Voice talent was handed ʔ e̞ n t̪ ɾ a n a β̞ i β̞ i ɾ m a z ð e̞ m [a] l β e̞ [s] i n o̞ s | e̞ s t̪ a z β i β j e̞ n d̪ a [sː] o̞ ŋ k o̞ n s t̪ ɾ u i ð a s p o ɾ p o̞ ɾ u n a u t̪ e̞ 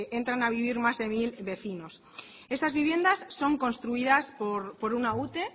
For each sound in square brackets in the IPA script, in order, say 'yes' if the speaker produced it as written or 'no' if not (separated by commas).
no, no, yes